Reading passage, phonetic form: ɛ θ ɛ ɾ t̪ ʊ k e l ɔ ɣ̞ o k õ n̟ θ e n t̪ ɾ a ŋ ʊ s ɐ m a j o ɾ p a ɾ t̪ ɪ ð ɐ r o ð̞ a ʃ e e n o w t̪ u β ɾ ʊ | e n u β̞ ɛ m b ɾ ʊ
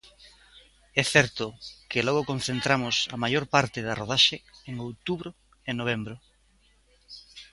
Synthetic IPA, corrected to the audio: ɛ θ ɛ ɾ t̪ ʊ k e l ɔ ɣ̞ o k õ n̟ θ e n t̪ ɾ a m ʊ s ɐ m a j o ɾ p a ɾ t̪ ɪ ð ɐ r o ð̞ a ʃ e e ŋ o w t̪ u β ɾ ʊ | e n o β̞ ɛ m b ɾ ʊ